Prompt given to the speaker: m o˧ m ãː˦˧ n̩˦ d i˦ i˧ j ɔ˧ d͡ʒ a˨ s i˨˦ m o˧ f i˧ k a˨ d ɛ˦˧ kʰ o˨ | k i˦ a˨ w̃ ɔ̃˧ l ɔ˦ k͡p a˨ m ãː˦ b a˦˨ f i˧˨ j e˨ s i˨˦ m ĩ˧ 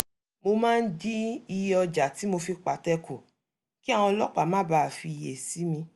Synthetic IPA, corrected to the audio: m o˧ m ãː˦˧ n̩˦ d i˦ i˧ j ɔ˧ d͡ʒ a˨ t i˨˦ m o˧ f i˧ k͡p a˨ t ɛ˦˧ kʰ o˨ | k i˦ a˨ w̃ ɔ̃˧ l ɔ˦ k͡p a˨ m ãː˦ b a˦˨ f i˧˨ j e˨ s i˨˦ m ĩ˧